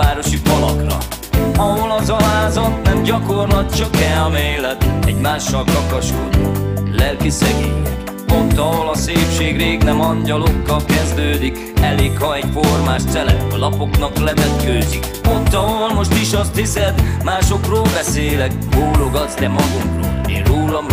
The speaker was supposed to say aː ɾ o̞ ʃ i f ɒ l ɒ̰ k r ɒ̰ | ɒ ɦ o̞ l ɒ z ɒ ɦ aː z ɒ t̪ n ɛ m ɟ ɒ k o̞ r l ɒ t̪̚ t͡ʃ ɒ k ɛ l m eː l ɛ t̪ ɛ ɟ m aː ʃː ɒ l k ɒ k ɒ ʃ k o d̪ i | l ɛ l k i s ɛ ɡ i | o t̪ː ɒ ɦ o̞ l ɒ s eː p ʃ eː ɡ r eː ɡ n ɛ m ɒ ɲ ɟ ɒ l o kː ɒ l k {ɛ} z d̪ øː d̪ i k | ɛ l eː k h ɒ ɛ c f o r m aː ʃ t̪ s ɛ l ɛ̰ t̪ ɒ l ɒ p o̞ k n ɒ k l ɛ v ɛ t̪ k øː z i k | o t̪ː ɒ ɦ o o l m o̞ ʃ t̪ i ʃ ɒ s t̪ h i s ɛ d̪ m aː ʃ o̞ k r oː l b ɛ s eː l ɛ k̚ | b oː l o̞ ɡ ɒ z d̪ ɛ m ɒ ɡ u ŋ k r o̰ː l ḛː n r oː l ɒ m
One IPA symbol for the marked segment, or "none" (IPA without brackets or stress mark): ɛ